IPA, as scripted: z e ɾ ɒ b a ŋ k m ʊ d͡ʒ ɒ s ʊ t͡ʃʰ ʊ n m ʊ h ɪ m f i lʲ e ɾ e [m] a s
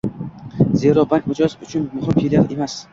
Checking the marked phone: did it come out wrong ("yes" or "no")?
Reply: no